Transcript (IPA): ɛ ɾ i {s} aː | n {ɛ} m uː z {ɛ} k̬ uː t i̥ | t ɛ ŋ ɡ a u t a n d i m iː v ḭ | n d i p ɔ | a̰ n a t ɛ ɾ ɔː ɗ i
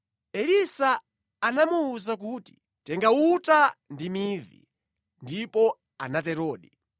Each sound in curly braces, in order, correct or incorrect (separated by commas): correct, incorrect, incorrect